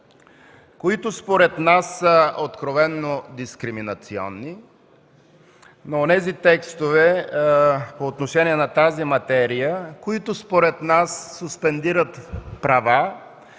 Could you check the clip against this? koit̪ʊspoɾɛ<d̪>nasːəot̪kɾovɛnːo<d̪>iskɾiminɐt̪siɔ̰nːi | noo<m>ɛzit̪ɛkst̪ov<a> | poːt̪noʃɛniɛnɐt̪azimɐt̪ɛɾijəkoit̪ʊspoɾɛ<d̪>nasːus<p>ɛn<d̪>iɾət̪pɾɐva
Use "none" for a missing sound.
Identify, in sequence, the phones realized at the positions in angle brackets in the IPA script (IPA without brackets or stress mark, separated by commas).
t̪, d̪, n, ɛ, t̪, p, d̪